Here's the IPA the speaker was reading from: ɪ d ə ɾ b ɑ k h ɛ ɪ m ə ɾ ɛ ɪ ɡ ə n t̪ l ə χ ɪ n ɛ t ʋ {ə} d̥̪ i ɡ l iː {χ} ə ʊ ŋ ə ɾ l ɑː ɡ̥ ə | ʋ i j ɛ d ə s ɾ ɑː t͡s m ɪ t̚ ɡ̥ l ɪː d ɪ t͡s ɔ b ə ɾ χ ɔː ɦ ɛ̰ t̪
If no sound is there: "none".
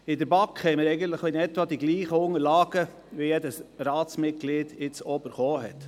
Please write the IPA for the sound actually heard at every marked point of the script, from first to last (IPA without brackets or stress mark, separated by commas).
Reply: ɑ, χ